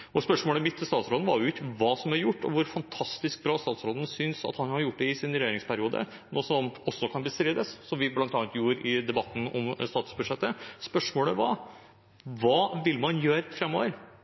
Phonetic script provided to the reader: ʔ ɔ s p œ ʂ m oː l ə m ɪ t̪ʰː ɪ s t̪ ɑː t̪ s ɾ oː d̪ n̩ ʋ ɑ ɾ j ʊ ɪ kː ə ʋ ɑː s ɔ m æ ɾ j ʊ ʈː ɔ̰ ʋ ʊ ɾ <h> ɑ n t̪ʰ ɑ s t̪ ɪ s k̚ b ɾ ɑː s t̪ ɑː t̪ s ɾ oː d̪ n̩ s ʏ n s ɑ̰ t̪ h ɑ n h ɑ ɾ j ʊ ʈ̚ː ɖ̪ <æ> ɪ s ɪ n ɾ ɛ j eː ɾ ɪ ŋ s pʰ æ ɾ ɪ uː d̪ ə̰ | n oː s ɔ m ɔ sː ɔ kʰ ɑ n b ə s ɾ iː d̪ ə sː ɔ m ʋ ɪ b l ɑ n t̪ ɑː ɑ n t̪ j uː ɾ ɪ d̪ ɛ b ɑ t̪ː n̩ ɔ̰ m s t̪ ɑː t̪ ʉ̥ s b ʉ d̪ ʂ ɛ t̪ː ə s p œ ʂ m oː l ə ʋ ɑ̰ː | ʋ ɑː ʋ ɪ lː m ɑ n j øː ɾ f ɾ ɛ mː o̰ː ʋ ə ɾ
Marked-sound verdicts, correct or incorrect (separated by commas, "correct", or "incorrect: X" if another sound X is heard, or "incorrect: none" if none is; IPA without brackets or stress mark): incorrect: f, incorrect: ɛ